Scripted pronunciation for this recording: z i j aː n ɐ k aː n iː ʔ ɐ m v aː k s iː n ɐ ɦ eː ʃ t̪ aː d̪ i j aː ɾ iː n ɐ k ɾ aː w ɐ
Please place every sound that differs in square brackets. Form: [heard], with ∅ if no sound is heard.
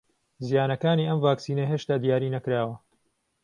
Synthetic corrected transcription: z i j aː n ɐ k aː n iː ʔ ɐ m v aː k s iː n ɐ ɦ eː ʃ t̪ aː d̪ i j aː ɾ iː n ɐ k ɾ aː w ɐ